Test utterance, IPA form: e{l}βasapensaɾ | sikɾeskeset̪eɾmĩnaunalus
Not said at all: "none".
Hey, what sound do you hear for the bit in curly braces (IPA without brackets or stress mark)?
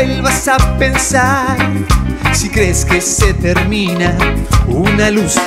l